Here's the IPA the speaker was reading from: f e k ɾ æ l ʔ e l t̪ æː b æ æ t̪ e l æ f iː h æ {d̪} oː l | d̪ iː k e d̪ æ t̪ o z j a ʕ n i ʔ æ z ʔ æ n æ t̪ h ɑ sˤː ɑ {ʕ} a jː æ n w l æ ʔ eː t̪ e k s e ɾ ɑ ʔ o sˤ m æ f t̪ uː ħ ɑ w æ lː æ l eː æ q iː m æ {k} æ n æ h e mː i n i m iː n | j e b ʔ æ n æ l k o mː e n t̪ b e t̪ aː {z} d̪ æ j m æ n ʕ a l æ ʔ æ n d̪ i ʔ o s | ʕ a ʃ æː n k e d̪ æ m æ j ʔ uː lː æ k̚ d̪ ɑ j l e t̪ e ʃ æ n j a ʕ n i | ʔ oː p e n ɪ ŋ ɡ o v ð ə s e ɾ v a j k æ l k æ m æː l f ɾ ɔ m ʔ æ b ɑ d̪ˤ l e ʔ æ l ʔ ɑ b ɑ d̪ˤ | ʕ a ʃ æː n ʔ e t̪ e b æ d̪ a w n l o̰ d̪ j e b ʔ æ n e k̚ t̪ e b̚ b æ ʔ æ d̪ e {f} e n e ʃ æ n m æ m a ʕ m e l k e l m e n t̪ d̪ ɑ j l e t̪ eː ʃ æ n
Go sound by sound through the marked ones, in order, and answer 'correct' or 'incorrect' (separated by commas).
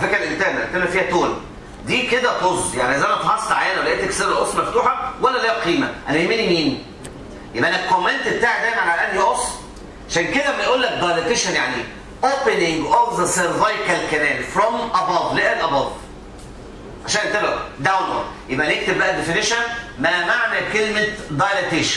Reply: incorrect, correct, incorrect, incorrect, correct